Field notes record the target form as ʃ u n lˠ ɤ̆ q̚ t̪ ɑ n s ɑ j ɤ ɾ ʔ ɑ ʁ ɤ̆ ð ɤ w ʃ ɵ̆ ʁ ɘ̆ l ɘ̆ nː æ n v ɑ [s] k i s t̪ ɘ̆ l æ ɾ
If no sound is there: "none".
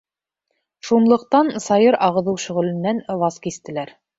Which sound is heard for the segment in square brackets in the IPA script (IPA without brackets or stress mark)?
s